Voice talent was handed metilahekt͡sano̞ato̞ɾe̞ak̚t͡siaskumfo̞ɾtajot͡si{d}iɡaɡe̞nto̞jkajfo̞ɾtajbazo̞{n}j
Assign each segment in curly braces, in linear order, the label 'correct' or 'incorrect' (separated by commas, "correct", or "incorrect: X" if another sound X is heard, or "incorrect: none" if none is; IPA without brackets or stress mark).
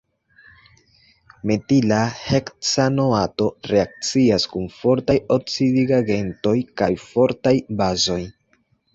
correct, incorrect: none